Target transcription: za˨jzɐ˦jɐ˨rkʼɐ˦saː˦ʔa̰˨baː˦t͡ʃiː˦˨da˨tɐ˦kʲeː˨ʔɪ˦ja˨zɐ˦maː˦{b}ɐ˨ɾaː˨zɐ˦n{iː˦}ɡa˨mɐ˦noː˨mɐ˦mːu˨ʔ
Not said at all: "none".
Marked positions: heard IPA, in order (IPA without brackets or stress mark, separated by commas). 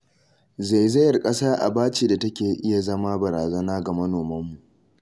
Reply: b, aː˦